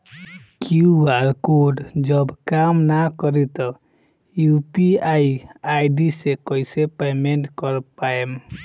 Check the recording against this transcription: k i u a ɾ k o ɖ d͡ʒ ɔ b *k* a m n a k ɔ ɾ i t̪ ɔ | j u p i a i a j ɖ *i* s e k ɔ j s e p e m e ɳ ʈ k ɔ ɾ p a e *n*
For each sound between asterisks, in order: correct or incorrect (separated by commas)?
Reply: correct, correct, incorrect